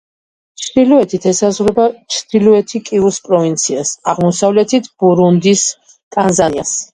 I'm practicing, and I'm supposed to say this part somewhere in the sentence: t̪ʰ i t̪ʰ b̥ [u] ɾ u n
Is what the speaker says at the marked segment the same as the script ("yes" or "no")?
yes